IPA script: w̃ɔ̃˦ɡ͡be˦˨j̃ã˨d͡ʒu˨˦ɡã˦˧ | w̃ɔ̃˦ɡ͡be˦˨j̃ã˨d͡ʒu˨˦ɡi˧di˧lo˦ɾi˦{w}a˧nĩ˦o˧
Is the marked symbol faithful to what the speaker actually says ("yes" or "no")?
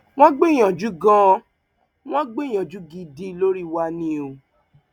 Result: yes